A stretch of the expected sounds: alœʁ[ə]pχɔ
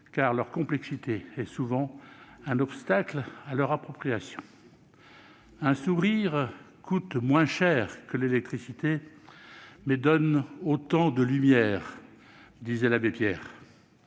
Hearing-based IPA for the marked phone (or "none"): a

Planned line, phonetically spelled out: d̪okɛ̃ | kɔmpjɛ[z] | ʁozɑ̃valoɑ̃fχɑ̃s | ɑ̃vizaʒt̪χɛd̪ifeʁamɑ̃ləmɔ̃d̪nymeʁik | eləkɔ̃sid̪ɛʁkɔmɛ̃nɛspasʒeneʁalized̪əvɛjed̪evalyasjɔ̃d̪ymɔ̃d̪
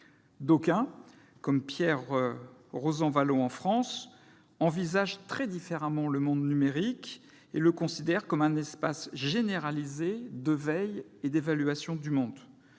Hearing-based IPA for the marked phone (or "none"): ʁ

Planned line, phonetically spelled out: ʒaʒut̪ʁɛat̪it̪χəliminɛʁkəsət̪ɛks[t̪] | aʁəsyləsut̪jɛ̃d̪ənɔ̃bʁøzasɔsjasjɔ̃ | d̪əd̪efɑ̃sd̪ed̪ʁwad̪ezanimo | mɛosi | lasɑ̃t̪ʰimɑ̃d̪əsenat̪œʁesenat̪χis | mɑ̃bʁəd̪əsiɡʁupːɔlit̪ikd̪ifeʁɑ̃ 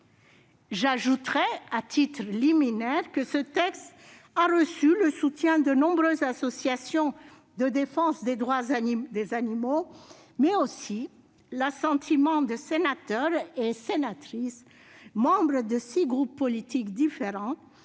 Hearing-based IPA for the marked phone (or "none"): t̪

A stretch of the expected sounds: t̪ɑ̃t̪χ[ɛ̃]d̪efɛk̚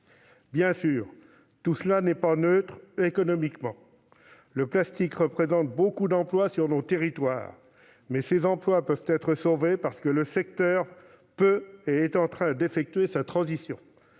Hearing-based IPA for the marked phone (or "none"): ɛ̃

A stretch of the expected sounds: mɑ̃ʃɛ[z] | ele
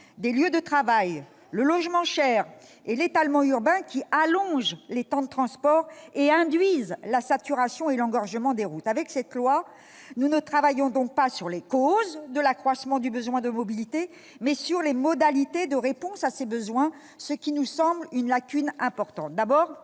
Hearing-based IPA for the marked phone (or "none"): ʁ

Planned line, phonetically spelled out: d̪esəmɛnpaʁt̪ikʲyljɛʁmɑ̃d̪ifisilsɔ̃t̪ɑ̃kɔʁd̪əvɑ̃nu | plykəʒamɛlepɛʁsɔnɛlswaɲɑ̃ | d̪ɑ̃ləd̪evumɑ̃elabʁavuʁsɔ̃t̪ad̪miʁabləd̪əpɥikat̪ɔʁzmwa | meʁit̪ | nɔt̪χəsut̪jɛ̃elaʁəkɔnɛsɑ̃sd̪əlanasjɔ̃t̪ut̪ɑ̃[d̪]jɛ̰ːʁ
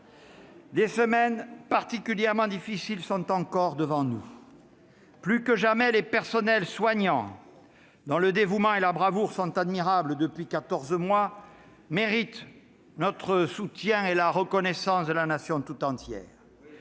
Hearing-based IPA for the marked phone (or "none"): t̪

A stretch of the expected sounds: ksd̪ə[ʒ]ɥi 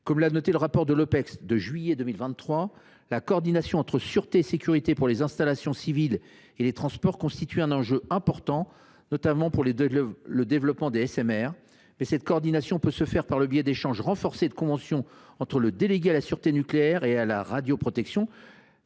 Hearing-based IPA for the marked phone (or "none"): ʒ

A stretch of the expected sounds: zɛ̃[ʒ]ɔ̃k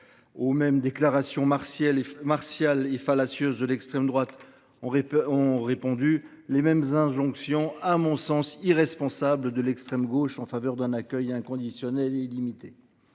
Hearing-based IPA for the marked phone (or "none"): ʒ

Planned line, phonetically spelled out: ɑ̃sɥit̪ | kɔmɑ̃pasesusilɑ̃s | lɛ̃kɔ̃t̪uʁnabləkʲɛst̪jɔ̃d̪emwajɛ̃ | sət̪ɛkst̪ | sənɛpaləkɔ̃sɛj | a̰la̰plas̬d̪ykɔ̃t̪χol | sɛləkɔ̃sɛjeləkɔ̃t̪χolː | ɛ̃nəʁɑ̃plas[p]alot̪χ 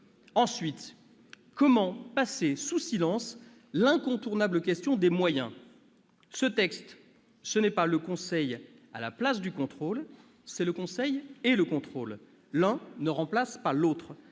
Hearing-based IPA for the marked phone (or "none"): p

